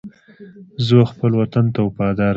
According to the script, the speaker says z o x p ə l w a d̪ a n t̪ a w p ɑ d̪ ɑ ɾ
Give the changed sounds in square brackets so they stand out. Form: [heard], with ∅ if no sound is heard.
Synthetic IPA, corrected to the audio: z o x p ə l w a [t̪] a n t̪ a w p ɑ d̪ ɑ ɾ